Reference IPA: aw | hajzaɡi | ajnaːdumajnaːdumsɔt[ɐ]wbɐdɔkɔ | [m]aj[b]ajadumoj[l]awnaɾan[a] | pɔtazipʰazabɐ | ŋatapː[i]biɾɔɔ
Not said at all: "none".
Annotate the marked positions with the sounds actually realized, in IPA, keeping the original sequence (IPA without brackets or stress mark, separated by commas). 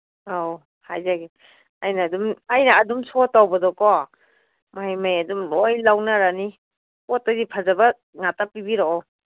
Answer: a, m, m, l, i, i